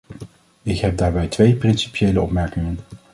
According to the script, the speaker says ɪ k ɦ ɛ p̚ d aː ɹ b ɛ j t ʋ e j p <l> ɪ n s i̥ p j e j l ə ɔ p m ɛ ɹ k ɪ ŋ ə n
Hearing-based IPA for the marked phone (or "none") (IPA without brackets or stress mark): r